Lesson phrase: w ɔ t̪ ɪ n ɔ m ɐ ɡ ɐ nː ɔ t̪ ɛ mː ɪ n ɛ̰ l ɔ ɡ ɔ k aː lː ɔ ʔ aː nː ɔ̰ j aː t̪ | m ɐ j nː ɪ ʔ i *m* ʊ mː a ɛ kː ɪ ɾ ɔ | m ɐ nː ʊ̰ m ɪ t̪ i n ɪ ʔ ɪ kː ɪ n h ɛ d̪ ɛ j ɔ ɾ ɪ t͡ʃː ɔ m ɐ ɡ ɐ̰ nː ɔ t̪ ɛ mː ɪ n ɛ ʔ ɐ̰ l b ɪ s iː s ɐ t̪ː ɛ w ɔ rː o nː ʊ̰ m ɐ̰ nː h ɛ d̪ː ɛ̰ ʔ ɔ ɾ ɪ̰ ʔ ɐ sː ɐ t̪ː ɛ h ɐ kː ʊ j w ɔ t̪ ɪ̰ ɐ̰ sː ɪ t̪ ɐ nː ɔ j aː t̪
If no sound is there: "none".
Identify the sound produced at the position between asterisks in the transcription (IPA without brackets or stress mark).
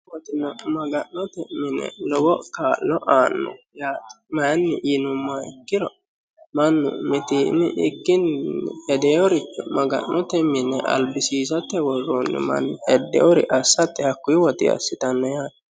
n